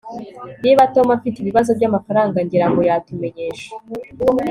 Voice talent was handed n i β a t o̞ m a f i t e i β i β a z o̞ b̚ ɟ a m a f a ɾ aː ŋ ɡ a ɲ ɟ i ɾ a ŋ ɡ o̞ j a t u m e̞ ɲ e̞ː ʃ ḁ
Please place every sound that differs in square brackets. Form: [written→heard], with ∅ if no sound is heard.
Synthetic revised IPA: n i β a t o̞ m a f i t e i β i β a z o̞ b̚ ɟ a m a f a ɾ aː ŋ ɡ a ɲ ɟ i ɾ a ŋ ɡ o̞ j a t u m e̞ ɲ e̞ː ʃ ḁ